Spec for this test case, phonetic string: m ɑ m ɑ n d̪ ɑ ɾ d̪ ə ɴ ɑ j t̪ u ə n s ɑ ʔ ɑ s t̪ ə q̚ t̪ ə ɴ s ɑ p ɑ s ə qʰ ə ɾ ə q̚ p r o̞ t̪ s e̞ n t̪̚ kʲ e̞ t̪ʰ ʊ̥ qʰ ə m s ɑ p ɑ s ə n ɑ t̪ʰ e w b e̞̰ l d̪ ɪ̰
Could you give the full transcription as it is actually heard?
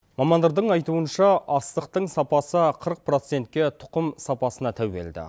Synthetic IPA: m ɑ m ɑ n d̪ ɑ ɾ d̪ ə ɴ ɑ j t̪ u ə n ʃ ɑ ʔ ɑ s t̪ ə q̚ t̪ ə ɴ s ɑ p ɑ s ə qʰ ə ɾ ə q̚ p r o̞ t̪ s e̞ n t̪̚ kʲ e̞ t̪ʰ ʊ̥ q ə m s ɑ p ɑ s ə n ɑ t̪ʰ æ w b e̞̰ l d̪ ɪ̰